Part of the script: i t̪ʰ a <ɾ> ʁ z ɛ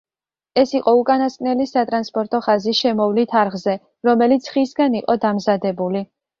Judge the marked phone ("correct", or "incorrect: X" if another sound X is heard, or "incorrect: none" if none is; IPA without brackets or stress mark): correct